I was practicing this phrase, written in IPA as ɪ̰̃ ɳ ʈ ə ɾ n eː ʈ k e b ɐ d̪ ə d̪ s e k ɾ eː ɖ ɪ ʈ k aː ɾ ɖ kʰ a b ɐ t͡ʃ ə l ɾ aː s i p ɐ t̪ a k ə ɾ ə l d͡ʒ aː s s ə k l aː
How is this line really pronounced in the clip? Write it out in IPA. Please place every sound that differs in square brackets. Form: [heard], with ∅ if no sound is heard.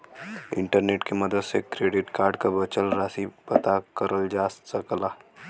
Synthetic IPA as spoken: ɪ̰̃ ɳ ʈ ə ɾ n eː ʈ k e [m] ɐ d̪ ə d̪ s e k ɾ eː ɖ ɪ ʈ k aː ɾ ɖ [k] a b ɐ t͡ʃ ə l ɾ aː s i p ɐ t̪ a k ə ɾ ə l d͡ʒ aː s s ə k l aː